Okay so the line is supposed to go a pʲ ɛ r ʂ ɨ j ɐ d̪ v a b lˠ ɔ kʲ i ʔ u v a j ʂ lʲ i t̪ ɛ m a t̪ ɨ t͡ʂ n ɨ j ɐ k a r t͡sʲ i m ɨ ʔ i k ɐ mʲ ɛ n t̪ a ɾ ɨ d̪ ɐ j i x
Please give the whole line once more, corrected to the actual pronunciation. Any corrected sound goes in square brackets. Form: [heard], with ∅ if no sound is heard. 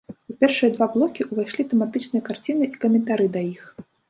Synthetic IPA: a pʲ ɛ r ʂ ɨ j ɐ d̪ v a b lˠ ɔ kʲ i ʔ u v a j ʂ lʲ i t̪ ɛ m a t̪ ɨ t͡ʂ n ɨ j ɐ k a r t͡sʲ i [n] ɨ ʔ i k ɐ mʲ ɛ n t̪ a ɾ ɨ d̪ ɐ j i x